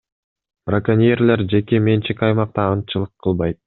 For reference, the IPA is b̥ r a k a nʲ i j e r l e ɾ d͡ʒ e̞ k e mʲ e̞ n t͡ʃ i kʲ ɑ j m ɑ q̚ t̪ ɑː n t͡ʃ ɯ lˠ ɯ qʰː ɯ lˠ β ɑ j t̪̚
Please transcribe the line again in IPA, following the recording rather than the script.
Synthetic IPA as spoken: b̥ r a k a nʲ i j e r l e ɾ d͡ʒ e̞ k e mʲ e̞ n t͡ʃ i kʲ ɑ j m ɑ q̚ t̪ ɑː n t͡ʃ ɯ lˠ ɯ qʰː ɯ lˠ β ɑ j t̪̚

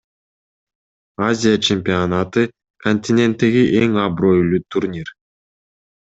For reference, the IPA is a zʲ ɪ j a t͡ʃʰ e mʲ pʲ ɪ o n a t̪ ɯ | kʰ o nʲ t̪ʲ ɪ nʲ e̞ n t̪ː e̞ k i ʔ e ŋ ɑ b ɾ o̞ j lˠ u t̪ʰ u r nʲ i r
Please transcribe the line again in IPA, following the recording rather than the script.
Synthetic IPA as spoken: a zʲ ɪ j a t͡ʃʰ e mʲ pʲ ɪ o n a t̪ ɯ | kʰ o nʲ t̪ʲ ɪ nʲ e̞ n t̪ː e̞ ɡ i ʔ e ŋ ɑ b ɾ o̞ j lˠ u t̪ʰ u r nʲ i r

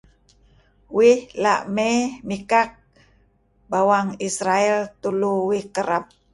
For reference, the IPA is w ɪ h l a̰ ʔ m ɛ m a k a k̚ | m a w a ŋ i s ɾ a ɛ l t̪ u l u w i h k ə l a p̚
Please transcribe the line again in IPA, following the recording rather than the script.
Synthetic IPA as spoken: w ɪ h l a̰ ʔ m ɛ m i k a k̚ | b a w a ŋ i s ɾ a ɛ l t̪ u l u w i h k ə ɾ a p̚

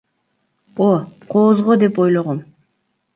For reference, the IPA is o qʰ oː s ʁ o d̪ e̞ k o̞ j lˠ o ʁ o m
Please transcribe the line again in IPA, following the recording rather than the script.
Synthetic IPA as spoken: o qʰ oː z ʁ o d̪ e̞ p o̞ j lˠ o ʁ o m

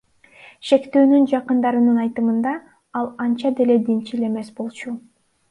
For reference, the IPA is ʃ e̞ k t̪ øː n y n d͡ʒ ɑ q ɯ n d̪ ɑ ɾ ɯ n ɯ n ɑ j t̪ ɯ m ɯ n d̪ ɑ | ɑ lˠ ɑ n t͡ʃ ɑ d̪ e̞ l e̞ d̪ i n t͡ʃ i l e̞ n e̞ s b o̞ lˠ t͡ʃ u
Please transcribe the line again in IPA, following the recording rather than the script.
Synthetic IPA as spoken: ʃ e̞ k t̪ øː n y n d͡ʒ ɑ q ɯ n d̪ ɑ ɾ ɯ n ɯ n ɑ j t̪ ɯ m ɯ n d̪ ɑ | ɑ lˠ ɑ n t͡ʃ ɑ d̪ e̞ l e̞ d̪ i n t͡ʃ i l e̞ m e̞ s b o̞ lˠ t͡ʃ u

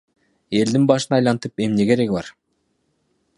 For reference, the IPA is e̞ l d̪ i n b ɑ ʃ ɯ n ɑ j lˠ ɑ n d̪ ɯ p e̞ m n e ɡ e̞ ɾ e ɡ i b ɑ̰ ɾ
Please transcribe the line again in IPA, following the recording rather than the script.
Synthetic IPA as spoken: e̞ l d̪ i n b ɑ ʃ ɯ n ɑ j lˠ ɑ n t̪ ɯ p e̞ m n e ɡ e̞ ɾ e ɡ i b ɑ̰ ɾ

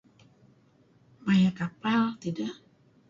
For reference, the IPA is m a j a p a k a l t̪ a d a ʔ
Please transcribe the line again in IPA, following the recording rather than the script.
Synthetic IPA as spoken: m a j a k a p a l t̪ i d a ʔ

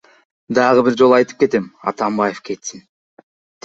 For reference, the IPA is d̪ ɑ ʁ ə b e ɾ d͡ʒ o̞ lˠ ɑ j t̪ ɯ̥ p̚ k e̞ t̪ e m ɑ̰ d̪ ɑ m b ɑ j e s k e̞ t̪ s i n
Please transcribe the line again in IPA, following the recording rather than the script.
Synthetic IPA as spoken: d̪ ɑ ʁ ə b i ɾ d͡ʒ o̞ lˠ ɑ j t̪ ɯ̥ p̚ k e̞ t̪ e m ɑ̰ t̪ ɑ m b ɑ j e f k e̞ t̪ s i n

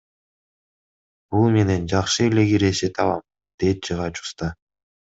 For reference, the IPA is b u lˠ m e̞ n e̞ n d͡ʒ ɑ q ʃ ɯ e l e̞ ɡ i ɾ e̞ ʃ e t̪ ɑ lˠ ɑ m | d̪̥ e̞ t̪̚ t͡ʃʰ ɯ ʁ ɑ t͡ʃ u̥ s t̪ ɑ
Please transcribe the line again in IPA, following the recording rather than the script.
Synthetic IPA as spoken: b u lˠ m e̞ n e̞ n d͡ʒ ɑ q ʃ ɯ e l e̞ ɡ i ɾ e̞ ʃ e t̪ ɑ lˠ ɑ m | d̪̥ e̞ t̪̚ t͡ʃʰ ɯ ʁ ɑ t͡ʃ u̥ s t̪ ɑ

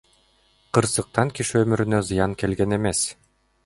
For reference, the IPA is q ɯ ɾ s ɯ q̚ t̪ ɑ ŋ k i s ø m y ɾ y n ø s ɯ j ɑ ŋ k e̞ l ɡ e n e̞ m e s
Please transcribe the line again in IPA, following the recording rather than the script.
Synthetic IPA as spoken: q ɯ ɾ s ɯ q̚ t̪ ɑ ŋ k i ʃ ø m y ɾ y n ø z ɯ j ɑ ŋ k e̞ l ɡ e n e̞ m e s

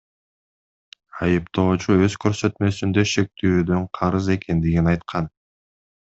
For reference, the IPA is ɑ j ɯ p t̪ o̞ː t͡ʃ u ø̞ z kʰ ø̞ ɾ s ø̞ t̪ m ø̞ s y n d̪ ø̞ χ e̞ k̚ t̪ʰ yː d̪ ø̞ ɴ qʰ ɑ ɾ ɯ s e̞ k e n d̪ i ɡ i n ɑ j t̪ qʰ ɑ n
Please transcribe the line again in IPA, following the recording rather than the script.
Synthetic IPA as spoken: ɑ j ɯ p t̪ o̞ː t͡ʃ u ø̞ z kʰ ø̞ ɾ s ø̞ t̪ m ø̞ s y n d̪ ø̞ ʃ e̞ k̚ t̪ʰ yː d̪ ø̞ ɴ qʰ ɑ ɾ ɯ z e̞ k e n d̪ i ɡ i n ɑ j t̪ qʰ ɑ n

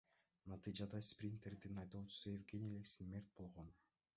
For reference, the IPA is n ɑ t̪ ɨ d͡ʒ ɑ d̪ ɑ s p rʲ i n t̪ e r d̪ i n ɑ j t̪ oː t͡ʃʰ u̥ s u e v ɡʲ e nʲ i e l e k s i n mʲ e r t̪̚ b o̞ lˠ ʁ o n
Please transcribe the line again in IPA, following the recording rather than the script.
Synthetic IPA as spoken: n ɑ t̪ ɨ d͡ʒ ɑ d̪ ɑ s p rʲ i n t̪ e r d̪ i n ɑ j t̪ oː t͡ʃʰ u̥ s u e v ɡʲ e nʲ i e l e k s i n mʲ e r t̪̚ b o̞ lˠ ʁ o n

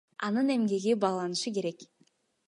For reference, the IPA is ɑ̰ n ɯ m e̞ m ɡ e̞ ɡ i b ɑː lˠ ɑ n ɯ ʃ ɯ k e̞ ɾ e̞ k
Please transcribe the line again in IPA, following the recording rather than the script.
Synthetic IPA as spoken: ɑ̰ n ɯ n e̞ m ɡ e̞ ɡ i b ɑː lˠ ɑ n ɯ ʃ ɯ k e̞ ɾ e̞ k

